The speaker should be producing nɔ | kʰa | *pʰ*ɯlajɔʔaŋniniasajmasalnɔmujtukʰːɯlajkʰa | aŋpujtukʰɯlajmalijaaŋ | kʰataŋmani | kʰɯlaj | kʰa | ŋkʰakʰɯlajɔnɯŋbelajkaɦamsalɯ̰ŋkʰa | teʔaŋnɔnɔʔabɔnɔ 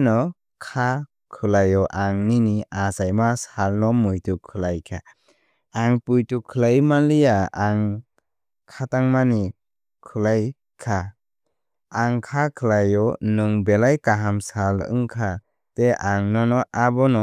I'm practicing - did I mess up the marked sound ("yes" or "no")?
yes